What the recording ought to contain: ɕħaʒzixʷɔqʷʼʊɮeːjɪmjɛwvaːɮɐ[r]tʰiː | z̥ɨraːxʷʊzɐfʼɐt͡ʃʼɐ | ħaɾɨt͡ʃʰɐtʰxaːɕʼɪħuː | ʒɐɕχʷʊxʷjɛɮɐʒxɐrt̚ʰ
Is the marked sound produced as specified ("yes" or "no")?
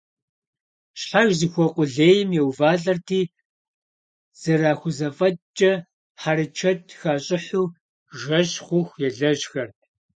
yes